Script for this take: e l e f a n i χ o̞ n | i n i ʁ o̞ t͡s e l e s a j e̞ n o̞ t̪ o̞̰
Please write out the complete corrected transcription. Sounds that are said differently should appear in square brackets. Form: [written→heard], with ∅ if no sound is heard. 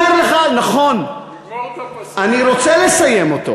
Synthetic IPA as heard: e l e [f→χ] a n [i→a] χ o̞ n | [i→a] n i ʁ o̞ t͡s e l e s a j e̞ [n→m] o̞ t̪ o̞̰